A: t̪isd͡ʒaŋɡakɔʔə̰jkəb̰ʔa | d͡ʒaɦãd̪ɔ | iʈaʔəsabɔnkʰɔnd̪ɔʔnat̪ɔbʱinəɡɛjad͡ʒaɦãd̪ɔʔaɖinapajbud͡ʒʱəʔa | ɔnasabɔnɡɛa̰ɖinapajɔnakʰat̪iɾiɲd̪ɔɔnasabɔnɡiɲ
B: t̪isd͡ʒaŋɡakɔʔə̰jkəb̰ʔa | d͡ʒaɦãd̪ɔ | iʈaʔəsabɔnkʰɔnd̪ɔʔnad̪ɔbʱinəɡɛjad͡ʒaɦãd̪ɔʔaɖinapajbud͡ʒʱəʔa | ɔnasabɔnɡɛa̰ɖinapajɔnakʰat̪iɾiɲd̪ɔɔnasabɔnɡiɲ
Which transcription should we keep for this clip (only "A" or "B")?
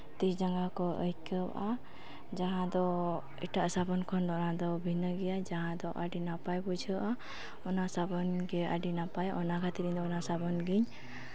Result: B